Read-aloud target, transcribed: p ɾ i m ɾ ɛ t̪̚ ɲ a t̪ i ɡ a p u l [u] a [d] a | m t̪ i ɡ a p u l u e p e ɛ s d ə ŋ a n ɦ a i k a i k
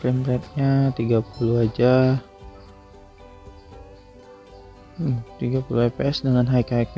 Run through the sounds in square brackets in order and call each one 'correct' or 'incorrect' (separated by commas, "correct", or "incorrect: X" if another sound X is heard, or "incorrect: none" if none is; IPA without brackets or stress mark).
correct, incorrect: d͡ʒ